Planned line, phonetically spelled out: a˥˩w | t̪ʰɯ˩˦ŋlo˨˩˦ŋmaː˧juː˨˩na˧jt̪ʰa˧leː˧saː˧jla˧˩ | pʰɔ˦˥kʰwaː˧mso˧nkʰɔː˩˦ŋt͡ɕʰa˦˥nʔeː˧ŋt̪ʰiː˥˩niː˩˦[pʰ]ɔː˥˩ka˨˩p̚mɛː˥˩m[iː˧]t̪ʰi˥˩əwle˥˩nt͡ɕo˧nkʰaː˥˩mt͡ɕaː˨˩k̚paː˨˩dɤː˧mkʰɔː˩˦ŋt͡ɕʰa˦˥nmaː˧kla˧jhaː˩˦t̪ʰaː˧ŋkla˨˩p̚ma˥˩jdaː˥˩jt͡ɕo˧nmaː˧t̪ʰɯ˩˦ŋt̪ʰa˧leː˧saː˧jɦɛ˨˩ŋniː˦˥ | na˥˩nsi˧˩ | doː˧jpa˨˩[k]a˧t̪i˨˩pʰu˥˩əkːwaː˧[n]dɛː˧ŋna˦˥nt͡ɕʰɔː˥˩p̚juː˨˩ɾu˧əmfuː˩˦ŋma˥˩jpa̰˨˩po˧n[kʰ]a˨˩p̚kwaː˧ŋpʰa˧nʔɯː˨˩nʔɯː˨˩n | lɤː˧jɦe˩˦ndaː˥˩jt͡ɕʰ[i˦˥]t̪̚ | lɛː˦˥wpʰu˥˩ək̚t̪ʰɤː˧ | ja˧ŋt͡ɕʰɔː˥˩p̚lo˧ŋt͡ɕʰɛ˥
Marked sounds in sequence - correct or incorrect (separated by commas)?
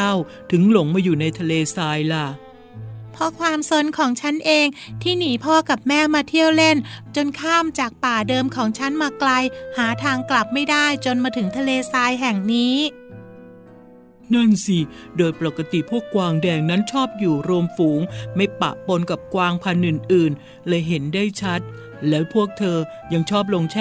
correct, incorrect, correct, incorrect, incorrect, incorrect